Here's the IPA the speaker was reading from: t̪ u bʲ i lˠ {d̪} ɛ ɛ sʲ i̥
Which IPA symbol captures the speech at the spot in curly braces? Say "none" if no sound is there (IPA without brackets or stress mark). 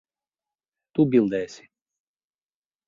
d̪